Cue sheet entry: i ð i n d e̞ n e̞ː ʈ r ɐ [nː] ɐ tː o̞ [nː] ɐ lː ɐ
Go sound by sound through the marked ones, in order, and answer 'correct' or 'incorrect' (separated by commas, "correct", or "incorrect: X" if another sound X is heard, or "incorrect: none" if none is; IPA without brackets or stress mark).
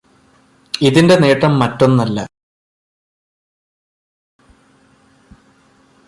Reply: incorrect: mː, correct